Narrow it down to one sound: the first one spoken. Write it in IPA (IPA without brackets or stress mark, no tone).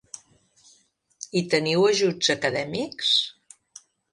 i